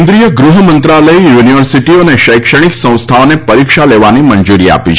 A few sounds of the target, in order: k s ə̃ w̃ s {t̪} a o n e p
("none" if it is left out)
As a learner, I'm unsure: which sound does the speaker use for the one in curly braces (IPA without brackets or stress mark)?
t̪ʰ